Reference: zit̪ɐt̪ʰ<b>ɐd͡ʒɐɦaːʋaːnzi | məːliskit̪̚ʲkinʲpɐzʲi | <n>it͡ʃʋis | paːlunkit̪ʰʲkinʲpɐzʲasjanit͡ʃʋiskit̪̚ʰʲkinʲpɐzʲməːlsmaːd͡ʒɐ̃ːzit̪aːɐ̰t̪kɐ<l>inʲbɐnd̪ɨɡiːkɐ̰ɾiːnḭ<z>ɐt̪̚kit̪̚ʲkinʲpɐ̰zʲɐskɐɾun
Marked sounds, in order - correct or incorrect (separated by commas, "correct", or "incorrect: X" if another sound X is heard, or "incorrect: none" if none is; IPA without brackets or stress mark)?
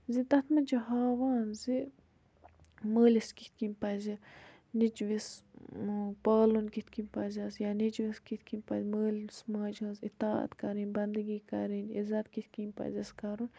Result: incorrect: m, correct, incorrect: ɾ, correct